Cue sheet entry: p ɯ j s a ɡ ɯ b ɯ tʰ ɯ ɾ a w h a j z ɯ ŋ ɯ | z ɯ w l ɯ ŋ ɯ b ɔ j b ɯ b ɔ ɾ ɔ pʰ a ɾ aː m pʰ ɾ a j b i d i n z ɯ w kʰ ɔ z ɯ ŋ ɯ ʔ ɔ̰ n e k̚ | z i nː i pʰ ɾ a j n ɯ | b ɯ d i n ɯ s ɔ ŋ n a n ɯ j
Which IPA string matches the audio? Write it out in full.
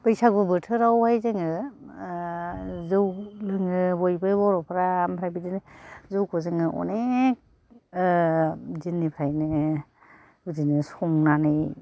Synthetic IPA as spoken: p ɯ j s a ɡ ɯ b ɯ tʰ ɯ ɾ a w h a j z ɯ ŋ ɯ | z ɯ w l ɯ ŋ ɯ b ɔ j b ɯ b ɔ ɾ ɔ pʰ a ɾ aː m pʰ ɾ a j b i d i n z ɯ w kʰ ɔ z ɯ ŋ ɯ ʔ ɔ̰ n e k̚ | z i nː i pʰ ɾ a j n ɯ | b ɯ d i n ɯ s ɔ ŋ n a n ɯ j